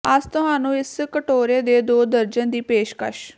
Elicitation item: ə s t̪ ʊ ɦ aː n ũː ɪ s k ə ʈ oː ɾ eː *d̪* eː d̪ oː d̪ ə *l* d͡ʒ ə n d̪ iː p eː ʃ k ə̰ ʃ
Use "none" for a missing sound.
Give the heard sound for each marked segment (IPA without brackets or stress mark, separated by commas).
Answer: d̪, ɾ